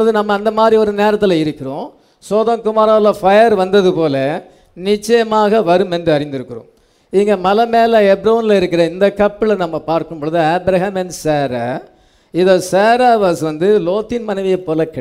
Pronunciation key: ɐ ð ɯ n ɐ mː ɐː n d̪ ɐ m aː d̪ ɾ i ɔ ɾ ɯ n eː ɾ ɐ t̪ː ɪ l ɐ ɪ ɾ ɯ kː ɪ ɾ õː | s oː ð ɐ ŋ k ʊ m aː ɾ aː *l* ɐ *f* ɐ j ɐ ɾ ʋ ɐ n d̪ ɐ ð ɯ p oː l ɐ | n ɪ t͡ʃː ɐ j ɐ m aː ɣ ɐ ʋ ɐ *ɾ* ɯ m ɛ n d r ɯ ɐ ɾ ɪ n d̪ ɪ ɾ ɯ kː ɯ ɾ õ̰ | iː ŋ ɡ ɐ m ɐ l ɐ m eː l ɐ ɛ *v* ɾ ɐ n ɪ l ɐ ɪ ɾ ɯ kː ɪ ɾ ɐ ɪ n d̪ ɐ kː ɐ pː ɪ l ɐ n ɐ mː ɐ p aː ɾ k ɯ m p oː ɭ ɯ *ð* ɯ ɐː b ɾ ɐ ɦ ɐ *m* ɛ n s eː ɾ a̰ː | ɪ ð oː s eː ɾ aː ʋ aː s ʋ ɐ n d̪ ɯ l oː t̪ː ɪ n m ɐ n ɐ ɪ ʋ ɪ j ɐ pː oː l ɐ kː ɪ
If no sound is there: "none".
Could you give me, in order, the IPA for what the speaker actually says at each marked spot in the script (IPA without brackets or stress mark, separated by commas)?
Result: l, f, ɾ, b, ð, m